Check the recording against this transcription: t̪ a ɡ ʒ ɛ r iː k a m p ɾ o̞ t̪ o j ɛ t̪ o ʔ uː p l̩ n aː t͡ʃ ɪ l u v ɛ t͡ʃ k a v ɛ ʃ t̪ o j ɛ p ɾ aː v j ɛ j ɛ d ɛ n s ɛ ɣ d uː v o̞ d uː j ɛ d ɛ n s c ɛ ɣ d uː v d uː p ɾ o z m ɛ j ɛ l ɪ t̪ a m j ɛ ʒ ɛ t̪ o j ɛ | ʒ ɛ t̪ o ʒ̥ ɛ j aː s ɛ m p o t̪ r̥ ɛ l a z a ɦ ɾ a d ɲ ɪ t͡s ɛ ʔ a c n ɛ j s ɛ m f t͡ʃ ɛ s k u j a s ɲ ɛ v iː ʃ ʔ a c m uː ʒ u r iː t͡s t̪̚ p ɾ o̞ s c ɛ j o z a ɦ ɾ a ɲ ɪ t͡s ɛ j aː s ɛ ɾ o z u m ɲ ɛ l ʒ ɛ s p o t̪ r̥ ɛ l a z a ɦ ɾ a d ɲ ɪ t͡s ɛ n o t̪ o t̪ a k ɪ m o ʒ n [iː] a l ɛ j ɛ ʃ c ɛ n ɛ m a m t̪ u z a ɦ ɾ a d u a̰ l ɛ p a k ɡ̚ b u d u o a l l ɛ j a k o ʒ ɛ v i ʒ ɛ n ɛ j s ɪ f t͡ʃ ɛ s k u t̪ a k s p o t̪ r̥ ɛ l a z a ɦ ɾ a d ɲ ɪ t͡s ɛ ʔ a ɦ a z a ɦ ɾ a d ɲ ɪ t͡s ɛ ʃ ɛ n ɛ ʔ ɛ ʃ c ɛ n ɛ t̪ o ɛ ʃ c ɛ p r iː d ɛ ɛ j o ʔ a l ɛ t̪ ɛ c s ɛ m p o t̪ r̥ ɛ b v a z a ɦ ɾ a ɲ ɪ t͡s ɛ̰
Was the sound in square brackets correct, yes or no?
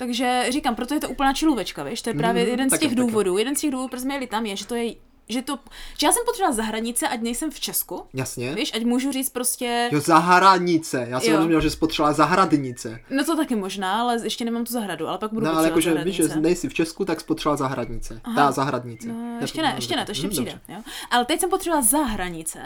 no